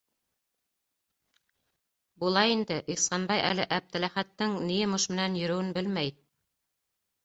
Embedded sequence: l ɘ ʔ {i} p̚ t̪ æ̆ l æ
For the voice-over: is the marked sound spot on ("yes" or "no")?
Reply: no